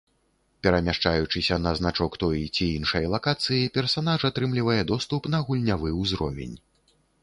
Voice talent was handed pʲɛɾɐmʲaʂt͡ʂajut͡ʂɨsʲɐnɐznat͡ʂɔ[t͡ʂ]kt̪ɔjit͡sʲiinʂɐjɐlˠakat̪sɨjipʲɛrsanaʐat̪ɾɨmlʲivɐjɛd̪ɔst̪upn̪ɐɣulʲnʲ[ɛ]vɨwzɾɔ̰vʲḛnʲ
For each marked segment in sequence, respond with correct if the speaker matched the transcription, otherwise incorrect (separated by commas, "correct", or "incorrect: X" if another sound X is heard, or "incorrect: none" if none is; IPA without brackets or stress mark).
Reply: incorrect: none, incorrect: a